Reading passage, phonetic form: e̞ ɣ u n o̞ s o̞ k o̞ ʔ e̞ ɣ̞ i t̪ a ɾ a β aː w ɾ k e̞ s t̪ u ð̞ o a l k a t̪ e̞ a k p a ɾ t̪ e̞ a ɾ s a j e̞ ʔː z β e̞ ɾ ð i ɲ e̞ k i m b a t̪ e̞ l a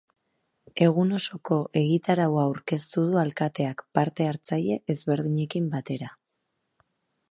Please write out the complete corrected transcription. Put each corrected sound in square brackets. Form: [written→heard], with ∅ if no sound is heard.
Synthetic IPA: e̞ ɣ u n o̞ s o̞ k o̞ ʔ e̞ ɣ̞ i t̪ a ɾ a [β→w] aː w ɾ k e̞ s t̪ u ð̞ [o→u] a l k a t̪ e̞ a k p a ɾ t̪ e̞ a ɾ [s→t͡s] a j e̞ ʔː z β e̞ ɾ ð i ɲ e̞ k i m b a t̪ e̞ [l→ɾ] a